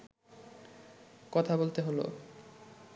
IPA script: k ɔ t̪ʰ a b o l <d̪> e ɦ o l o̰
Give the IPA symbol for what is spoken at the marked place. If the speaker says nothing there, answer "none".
t̪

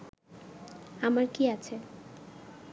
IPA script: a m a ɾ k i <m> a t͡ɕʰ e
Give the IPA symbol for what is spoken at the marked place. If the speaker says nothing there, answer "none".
none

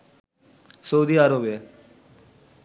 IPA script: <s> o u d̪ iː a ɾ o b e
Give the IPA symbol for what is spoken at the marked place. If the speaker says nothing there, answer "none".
s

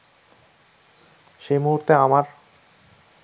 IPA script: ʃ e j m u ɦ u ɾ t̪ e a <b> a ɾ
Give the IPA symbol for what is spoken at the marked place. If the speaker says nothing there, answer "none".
m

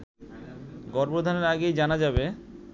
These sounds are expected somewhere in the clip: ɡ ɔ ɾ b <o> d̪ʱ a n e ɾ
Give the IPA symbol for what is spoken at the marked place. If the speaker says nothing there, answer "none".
o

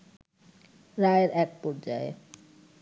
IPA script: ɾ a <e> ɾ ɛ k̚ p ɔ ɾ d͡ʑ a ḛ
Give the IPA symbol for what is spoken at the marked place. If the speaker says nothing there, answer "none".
e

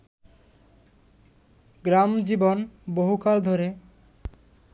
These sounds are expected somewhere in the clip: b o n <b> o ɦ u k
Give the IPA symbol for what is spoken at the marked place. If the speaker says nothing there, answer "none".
b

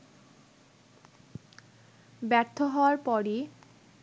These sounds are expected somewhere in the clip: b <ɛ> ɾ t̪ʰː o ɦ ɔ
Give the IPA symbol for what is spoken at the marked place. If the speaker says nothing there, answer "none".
ɛ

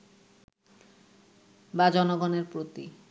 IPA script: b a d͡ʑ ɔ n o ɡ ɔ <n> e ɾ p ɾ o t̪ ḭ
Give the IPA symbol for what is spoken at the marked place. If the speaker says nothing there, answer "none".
n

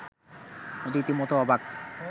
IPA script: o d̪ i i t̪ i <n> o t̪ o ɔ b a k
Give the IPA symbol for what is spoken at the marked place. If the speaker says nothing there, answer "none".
m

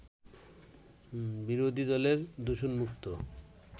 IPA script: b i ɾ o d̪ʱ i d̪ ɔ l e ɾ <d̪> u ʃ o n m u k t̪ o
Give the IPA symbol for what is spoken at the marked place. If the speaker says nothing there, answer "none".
d̪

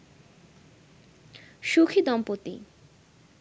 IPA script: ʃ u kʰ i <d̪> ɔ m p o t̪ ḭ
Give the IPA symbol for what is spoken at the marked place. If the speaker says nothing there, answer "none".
d̪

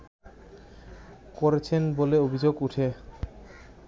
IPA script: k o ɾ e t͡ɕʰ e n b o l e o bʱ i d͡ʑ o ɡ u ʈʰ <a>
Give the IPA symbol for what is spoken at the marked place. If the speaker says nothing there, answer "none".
e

